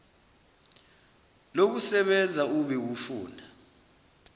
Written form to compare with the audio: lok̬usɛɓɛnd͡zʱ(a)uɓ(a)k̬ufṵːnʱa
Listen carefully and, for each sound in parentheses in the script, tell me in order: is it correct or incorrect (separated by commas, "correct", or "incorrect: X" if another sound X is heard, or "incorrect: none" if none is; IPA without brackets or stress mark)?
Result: correct, incorrect: ɛ